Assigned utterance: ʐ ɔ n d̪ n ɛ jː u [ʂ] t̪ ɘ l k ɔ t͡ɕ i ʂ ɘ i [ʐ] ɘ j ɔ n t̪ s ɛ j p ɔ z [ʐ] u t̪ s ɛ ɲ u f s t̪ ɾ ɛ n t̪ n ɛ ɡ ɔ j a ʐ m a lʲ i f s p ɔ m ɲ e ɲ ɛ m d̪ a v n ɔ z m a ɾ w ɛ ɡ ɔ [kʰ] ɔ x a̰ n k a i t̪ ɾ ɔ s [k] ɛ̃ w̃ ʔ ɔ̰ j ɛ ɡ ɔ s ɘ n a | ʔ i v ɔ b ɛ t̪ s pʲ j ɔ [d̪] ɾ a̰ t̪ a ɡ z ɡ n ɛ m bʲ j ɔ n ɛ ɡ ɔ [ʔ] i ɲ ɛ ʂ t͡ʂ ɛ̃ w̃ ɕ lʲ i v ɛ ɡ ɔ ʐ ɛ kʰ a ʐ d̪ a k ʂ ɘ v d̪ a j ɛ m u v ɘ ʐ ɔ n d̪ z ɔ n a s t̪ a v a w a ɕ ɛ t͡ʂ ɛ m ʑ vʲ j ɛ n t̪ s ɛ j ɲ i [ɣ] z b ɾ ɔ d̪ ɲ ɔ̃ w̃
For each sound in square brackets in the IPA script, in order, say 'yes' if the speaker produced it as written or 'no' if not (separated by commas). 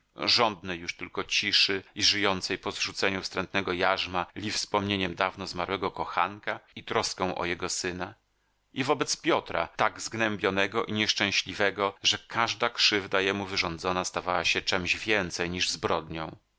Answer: yes, yes, yes, no, yes, no, yes, no